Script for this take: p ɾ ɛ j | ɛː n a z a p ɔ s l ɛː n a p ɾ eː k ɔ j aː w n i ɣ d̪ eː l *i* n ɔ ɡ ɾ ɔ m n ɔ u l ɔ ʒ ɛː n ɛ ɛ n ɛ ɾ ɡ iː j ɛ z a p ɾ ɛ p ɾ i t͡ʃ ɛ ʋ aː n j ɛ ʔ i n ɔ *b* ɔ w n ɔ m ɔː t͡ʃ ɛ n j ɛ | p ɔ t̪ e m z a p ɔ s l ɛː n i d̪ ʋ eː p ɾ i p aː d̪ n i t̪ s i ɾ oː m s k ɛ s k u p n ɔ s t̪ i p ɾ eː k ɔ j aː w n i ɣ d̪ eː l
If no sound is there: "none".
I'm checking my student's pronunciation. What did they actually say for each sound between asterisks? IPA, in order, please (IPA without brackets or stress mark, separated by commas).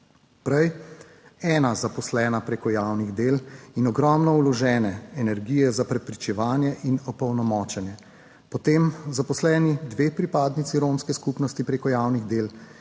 i, p